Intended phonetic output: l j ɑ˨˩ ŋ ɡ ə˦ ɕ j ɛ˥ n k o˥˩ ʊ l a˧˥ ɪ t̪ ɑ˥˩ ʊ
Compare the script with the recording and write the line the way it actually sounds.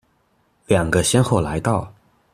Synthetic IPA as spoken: l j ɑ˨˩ ŋ ɡ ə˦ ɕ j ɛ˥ n x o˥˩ ʊ l a˧˥ ɪ t̪ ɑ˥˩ ʊ